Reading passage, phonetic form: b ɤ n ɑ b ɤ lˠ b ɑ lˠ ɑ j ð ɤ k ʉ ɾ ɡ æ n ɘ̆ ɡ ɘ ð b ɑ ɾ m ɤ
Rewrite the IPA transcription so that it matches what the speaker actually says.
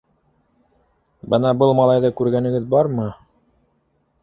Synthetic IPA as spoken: b ɤ n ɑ b ɤ lˠ m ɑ lˠ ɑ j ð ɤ k ʉ ɾ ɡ æ n ɘ̆ ɡ ɘ ð b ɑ ɾ m ɤ